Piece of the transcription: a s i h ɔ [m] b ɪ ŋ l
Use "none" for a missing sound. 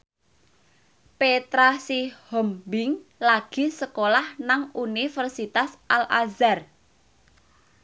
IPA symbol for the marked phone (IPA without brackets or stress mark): m